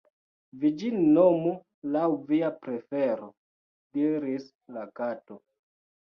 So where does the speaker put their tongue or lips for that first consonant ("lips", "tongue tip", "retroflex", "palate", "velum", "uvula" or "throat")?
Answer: lips